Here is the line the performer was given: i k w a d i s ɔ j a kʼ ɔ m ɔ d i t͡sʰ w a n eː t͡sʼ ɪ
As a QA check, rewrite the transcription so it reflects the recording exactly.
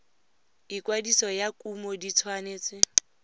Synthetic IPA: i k w a d i s ɔ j a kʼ u m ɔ d i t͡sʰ w a n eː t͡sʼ ɪ

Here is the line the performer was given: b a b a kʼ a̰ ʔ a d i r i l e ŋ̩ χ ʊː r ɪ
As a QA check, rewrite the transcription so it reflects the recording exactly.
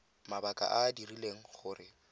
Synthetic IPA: m a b a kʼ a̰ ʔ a d i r i l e ŋ̩ χ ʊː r ɪ

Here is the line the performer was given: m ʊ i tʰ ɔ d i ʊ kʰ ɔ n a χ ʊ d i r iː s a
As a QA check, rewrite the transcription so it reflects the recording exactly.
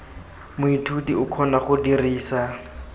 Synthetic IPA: m ʊ i tʰ u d i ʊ kʰ ɔ n a χ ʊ d i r iː s a

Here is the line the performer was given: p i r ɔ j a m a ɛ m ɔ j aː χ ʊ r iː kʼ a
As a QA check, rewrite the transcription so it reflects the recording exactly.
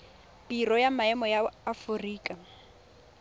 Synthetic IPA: p i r ɔ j a m a ɛ m ɔ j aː f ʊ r iː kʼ a

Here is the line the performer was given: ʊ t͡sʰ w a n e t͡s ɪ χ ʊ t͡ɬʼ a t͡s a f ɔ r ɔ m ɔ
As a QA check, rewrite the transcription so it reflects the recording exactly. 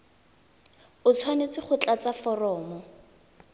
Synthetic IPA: ʊ t͡sʰ w a n e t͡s ɪ χ ʊ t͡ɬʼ a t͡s a f ɔ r ɔː m ɔ

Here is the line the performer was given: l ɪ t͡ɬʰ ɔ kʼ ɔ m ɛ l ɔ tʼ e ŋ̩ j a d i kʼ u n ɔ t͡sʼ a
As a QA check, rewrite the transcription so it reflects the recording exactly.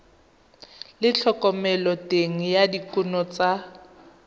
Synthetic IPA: l ɪ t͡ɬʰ ɔ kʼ ɔ m ɛ l ɔ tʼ e ŋ̩ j a d i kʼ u n ɔ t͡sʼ a

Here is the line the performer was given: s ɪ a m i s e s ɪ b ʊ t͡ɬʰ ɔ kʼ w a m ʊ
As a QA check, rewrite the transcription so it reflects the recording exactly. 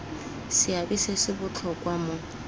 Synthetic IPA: s ɪ a b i s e s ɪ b ʊ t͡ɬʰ ɔ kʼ w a m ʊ

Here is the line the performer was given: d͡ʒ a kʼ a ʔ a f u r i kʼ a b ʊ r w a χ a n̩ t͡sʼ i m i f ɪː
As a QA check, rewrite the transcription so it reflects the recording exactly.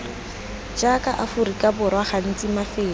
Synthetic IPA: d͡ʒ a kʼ a ʔ a f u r i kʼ a b ʊ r w a χ a n̩ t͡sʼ i m a f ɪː

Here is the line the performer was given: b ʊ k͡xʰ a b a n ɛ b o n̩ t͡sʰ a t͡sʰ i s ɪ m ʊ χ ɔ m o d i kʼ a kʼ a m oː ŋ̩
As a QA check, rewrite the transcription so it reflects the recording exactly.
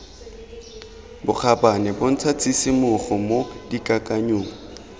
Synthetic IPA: b ʊ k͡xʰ a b a n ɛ b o n̩ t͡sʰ a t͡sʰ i s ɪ m ʊ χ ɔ m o d i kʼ a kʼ a ɲ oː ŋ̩

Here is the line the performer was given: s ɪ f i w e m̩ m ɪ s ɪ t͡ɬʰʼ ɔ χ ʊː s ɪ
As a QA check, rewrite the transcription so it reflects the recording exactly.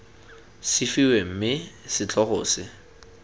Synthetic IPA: s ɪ f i w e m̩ m ɪ s ɪ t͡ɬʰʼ ɔ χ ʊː s ɪ

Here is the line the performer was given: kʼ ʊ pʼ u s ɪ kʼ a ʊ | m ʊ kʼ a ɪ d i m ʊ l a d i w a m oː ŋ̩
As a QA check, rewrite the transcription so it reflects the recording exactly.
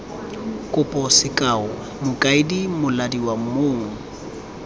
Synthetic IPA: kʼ ʊ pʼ ɔ s ɪ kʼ a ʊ | m ʊ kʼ a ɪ d i m ʊ l a d i w a m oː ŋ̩

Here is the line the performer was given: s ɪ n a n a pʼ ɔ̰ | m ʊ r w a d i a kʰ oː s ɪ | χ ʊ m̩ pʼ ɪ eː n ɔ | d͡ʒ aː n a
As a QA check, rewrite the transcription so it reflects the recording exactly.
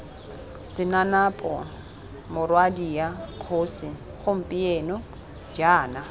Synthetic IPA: s ɪ n a n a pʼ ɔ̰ | m ʊ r w a d i a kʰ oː s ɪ | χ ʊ m̩ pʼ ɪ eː n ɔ | d͡ʒ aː n a

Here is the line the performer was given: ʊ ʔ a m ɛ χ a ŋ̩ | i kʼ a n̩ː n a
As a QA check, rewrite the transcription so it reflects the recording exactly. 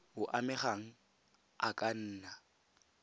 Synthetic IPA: ʊ ʔ a m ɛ χ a ŋ̩ | a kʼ a n̩ː n a

